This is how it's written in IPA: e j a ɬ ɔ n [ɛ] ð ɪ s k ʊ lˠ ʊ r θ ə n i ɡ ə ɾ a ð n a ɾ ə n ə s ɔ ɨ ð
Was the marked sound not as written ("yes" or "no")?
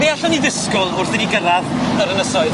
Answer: yes